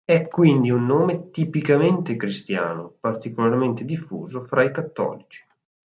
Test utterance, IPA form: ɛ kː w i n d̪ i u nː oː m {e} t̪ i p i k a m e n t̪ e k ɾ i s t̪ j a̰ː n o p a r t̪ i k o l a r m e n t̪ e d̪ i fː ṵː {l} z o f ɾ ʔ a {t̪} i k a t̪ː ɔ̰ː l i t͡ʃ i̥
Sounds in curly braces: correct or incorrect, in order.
correct, incorrect: none, incorrect: none

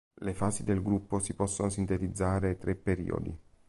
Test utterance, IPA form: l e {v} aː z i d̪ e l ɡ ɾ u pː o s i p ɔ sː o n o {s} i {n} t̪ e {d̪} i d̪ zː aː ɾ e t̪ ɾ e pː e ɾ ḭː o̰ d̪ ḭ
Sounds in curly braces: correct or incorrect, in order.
incorrect: f, correct, correct, incorrect: t̪

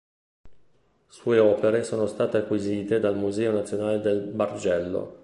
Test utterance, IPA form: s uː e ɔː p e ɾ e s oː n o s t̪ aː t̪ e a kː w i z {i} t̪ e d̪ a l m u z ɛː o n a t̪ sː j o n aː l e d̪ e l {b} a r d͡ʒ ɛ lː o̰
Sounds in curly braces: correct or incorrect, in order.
incorrect: iː, correct

